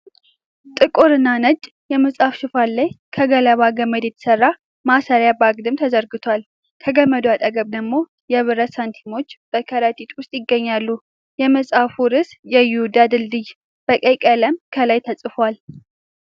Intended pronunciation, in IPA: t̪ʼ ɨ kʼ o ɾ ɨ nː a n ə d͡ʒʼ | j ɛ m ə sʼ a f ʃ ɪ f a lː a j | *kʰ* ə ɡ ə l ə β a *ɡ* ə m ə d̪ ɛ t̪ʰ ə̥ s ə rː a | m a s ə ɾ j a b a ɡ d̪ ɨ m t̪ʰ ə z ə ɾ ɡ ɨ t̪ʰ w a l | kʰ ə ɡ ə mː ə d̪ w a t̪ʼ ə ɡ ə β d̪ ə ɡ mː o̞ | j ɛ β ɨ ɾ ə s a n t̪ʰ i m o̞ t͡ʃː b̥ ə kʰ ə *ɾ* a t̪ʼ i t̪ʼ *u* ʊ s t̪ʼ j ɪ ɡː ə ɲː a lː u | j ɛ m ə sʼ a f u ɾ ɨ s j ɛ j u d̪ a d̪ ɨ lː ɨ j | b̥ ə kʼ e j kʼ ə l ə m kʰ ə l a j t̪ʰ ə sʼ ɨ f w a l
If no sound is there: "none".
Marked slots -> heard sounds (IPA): kʰ, ɡ, ɾ, w

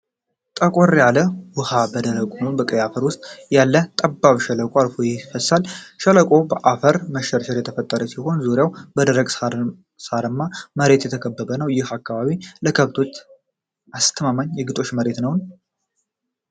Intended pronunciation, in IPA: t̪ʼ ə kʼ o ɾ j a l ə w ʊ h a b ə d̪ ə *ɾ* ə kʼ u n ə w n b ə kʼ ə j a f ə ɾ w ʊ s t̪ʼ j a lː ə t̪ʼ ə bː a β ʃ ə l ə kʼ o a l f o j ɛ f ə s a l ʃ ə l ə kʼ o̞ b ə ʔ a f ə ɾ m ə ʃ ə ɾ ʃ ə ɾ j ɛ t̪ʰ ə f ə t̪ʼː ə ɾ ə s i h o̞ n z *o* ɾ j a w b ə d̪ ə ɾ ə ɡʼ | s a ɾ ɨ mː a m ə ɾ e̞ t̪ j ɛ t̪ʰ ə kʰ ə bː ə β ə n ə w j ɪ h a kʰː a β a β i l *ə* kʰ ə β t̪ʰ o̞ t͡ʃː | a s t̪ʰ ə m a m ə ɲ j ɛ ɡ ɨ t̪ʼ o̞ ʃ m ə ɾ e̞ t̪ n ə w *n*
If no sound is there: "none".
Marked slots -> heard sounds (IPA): ɾ, u, ə, n

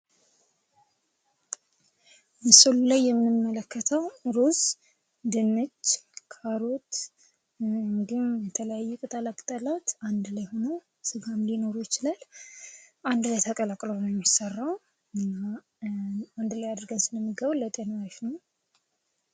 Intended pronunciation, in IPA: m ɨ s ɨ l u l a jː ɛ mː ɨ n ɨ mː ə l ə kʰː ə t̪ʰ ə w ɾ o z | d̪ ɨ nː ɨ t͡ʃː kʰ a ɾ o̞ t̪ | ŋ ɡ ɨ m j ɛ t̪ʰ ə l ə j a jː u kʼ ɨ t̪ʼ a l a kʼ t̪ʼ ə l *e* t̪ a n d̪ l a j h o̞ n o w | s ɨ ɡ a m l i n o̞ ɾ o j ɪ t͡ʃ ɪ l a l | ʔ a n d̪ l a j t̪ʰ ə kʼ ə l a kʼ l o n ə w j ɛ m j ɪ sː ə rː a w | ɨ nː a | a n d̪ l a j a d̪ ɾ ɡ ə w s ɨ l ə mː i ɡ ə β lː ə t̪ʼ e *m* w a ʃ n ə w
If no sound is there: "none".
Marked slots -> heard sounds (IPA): a, n

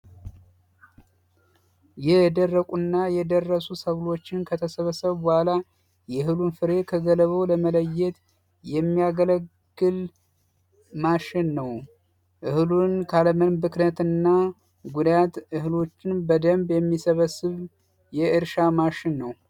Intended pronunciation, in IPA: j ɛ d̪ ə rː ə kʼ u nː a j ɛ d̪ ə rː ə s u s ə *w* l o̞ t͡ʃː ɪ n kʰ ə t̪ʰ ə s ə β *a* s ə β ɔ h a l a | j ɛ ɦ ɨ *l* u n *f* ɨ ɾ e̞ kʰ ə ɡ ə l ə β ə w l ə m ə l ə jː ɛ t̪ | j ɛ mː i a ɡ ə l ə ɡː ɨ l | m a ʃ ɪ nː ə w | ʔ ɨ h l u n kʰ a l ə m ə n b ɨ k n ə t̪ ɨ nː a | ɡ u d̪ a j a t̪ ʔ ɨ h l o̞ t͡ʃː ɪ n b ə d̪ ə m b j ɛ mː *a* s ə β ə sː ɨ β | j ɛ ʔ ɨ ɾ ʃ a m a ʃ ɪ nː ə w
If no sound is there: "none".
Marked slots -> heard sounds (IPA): β, ə, l, f, i

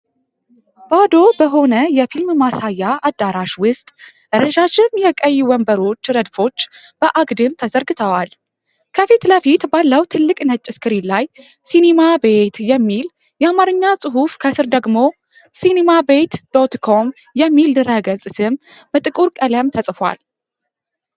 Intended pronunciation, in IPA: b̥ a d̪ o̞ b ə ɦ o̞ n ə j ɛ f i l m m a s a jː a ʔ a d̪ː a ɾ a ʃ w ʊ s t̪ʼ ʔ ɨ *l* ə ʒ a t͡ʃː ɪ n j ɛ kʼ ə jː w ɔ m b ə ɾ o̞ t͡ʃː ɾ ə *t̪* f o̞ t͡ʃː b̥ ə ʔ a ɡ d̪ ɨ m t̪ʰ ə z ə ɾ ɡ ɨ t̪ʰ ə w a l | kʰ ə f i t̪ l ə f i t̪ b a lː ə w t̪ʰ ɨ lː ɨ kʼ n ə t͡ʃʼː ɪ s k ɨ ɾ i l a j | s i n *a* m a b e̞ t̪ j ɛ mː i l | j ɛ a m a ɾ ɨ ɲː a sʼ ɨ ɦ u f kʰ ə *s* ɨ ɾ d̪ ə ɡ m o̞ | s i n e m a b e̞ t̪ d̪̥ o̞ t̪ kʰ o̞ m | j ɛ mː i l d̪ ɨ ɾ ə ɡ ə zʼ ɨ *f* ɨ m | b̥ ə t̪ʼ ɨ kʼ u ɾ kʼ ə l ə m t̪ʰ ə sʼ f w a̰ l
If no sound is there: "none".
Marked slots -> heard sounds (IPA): ɾ, d̪, e, s, s

